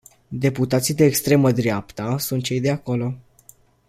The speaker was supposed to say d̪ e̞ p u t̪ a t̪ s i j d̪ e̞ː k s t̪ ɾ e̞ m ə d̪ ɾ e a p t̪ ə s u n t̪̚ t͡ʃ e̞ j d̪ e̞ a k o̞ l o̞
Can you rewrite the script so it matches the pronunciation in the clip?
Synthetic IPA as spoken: d̪ e̞ p u t̪ a t̪ s i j d̪ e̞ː k s t̪ ɾ e̞ m ə d̪ ɾ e a p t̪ ə s u n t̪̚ t͡ʃ e̞ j d̪ e̞ a k o̞ l o̞